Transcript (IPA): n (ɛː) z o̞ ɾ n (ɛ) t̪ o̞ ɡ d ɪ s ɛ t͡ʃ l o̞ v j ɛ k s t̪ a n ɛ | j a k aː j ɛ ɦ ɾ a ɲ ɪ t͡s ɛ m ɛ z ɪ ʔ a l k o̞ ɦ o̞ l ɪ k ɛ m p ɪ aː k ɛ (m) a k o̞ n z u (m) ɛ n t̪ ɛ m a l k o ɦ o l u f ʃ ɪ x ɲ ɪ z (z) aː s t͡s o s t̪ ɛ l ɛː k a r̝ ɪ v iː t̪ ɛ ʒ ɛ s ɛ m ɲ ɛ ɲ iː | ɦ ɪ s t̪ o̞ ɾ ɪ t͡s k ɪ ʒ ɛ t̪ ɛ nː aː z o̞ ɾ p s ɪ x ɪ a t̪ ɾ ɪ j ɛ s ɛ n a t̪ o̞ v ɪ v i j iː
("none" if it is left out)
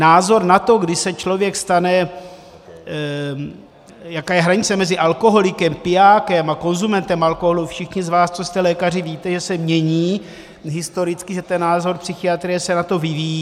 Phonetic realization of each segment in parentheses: aː, a, m, m, v

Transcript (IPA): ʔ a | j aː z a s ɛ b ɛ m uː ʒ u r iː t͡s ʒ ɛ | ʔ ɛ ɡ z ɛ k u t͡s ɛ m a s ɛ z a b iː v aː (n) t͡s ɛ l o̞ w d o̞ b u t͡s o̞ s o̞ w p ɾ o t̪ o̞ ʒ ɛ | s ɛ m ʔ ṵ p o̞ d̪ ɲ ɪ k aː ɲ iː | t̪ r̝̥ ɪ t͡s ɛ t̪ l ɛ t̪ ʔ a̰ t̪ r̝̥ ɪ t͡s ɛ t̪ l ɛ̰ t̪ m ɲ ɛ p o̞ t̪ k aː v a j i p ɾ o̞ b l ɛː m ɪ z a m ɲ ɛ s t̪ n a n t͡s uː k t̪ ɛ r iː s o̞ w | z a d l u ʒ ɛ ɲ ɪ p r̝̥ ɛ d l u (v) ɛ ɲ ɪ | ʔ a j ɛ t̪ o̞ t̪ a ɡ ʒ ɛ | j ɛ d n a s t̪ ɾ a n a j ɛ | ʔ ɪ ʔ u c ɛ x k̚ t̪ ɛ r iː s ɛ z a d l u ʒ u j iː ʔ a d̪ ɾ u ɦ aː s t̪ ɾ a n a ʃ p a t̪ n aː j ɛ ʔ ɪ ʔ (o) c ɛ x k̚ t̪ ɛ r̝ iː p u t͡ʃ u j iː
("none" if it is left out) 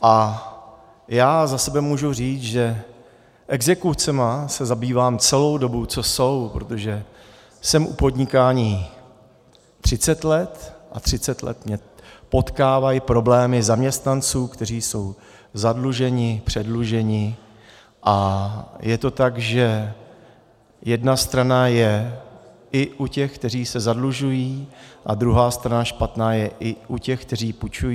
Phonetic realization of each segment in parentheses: m, ʒ, u

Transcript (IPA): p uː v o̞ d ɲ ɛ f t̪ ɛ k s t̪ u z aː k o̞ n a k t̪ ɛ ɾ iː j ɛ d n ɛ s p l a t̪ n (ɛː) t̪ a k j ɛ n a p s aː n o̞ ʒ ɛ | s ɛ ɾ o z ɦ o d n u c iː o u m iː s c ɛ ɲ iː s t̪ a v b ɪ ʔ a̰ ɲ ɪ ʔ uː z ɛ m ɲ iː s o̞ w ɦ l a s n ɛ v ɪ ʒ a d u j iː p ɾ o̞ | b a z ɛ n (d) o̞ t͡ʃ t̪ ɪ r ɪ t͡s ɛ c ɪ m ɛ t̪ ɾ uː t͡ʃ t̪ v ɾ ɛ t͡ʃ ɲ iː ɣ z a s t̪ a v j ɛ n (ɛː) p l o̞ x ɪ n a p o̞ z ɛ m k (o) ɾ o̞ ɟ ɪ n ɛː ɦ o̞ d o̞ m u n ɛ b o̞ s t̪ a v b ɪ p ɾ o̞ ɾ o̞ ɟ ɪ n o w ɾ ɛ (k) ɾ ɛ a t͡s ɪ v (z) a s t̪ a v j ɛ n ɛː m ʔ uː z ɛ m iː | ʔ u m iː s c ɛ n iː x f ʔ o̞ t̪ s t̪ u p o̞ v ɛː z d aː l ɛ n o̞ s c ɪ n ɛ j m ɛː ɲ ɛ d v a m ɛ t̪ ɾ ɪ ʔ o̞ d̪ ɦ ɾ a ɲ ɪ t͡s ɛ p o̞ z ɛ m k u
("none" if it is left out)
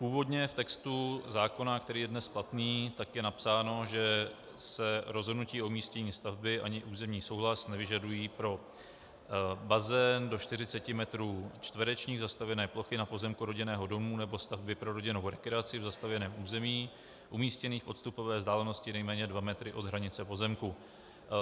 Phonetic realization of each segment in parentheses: iː, d, ɛː, u, k, z

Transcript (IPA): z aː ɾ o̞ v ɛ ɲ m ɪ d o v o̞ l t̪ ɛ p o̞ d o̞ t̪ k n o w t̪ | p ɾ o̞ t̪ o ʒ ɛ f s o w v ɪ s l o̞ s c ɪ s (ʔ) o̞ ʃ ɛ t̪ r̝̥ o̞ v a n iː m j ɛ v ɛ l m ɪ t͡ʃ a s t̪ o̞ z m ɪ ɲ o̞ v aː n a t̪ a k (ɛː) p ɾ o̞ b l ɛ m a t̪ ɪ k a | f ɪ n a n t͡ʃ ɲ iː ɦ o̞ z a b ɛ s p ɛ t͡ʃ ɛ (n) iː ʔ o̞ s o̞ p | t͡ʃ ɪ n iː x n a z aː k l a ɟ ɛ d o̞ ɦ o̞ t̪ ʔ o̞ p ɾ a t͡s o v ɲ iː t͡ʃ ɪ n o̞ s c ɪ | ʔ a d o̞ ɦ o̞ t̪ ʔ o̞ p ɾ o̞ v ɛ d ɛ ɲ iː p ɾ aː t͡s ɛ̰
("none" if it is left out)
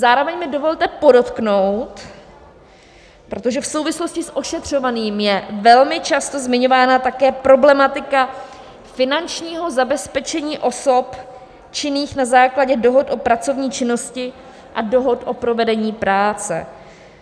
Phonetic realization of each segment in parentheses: ʔ, ɛː, ɲ

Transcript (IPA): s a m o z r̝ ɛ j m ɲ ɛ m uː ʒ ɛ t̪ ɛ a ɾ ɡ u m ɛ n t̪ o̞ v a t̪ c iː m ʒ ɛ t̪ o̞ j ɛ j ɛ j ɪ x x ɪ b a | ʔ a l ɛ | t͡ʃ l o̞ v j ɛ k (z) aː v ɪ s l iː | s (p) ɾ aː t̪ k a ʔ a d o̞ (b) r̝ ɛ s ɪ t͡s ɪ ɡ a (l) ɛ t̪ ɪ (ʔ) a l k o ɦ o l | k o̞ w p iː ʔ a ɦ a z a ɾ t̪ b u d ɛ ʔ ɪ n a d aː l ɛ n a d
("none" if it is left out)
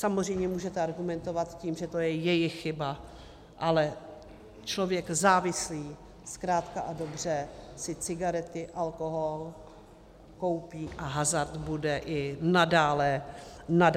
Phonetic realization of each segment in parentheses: z, k, b, ɾ, ʔ

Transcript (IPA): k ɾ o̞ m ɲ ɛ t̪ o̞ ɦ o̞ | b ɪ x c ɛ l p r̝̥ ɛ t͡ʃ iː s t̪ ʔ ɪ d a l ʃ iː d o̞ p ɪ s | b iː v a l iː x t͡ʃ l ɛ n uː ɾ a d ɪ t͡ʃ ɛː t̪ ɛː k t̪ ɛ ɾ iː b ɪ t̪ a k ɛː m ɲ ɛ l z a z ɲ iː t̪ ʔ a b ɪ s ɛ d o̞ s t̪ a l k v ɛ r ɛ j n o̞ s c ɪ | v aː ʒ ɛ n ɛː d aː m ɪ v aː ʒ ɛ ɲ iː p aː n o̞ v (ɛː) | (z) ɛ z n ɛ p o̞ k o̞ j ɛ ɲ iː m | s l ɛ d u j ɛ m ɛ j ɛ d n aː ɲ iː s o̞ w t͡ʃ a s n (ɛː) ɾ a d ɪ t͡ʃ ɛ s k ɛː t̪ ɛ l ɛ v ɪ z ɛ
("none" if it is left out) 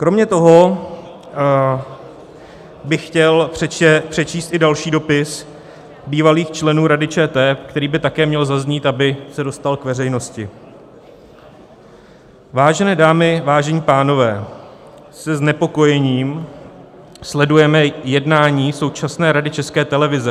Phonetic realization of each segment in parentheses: ɛː, s, ɛː

